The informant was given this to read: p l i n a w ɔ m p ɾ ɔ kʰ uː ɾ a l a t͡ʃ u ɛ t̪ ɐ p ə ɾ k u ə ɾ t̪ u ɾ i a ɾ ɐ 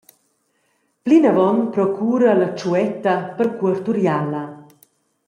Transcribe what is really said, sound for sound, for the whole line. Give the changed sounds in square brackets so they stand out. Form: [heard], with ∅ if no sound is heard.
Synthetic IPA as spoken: p l i n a [v] ɔ [n] p ɾ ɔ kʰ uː ɾ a l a t͡ʃ u ɛ t̪ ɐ p ə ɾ k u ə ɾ t̪ u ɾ [j] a [l] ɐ